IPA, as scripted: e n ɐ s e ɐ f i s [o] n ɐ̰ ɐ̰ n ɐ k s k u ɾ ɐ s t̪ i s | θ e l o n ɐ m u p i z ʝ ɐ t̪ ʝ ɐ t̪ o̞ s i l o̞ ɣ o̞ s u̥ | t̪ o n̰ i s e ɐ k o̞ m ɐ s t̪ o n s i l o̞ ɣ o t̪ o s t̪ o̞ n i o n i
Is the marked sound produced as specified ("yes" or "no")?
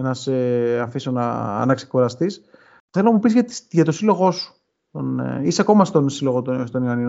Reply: yes